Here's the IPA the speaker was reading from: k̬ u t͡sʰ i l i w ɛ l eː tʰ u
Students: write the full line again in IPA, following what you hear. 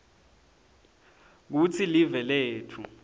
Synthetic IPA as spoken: k̬ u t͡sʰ i l i v ɛ l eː tʰ u